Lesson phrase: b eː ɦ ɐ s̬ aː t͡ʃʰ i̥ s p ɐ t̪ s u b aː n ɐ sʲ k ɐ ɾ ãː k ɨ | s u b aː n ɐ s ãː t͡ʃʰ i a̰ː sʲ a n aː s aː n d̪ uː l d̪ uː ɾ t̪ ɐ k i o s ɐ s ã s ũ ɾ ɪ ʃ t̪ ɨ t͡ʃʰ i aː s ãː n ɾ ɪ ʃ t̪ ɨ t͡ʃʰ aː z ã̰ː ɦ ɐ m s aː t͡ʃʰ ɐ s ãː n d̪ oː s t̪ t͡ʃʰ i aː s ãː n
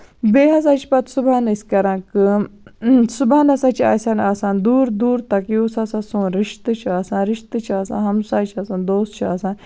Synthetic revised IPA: b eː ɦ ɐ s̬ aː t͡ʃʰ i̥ p ɐ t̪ s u b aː n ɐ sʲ k ɐ ɾ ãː k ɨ | s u b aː n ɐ s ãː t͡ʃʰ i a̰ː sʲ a n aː s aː n d̪ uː ɾ d̪ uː ɾ t̪ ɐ k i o s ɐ s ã s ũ ɾ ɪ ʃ t̪ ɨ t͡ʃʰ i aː s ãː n ɾ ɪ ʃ t̪ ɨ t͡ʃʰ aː s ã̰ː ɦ ɐ m s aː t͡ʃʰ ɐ s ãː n d̪ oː s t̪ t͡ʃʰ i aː s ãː n